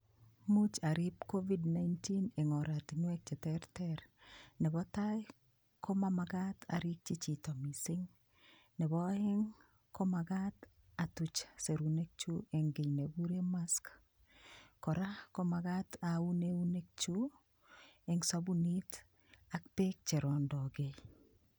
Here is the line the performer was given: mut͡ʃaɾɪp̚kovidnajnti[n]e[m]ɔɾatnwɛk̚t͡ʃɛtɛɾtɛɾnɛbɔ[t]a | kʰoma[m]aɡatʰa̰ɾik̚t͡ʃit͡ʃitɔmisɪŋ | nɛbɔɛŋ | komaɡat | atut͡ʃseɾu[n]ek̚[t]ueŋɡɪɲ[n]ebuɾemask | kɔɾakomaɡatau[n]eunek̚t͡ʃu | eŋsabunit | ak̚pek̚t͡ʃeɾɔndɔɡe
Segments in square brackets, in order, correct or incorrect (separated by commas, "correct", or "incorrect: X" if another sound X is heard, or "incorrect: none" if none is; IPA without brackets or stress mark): correct, incorrect: ŋ, correct, correct, correct, incorrect: t͡ʃ, correct, correct